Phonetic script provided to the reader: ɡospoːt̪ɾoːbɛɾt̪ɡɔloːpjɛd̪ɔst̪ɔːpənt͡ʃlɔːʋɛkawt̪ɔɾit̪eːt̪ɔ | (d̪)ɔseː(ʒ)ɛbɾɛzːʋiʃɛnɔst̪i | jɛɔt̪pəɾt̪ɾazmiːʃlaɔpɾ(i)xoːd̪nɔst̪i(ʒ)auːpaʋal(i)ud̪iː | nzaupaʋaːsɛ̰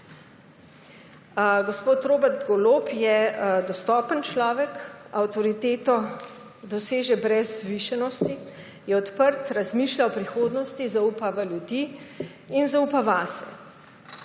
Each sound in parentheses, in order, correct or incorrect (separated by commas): correct, correct, correct, incorrect, incorrect